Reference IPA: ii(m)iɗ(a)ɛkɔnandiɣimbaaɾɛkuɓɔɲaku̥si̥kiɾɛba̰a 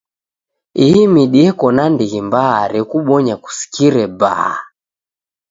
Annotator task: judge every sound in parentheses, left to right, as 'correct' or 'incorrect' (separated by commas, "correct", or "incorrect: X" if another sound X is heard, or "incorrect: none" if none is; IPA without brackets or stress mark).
correct, incorrect: i